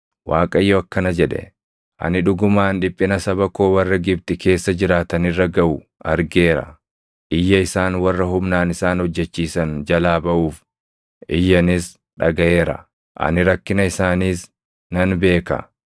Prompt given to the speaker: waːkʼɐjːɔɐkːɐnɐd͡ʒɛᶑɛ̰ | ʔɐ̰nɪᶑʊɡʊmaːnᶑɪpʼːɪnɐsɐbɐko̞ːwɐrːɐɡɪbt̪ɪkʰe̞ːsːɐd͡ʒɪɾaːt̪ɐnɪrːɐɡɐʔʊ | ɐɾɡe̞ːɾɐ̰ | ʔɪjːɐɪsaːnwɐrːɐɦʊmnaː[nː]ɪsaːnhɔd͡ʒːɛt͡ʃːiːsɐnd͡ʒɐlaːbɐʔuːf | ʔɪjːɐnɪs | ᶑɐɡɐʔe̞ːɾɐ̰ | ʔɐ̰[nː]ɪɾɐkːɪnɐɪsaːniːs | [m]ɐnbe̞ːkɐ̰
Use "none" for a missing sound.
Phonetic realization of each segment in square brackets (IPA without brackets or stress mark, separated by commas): n, n, n